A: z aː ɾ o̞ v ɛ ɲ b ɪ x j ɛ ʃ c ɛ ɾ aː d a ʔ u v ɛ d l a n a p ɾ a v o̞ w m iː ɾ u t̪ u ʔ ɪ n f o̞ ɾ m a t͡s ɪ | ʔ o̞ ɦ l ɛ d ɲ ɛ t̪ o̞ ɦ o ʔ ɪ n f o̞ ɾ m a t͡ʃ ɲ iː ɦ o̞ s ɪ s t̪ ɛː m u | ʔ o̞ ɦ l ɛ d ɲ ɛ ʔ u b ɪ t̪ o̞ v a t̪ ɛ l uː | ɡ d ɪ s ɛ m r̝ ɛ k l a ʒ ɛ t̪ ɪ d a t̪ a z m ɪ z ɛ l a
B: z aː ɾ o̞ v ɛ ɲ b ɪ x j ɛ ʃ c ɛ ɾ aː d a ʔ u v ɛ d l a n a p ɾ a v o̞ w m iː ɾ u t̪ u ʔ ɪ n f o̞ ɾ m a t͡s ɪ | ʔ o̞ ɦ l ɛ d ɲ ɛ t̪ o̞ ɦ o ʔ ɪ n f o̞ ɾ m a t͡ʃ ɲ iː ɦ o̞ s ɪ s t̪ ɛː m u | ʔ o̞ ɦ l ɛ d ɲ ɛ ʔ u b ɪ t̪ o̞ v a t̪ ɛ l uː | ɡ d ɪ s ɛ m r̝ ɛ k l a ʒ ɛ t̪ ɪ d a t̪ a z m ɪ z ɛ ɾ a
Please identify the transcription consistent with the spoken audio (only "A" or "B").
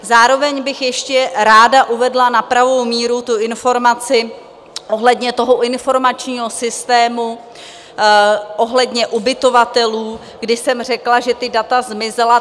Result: A